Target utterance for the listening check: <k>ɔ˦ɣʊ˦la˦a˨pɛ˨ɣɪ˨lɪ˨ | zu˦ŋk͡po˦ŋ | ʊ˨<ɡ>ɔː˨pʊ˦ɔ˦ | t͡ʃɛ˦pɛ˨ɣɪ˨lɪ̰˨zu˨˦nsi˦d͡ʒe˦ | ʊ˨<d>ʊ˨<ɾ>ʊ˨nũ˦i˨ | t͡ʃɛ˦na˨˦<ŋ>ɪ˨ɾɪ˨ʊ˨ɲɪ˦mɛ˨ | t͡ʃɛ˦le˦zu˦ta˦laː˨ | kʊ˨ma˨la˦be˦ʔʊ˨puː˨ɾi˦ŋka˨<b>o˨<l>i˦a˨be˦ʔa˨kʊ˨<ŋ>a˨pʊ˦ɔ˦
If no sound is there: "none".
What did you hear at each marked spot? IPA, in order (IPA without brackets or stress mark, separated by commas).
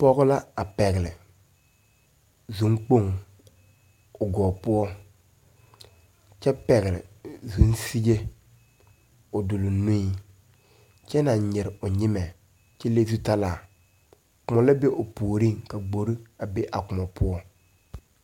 p, ɡ, d, l, ɲ, ɡ͡b, ɾ, m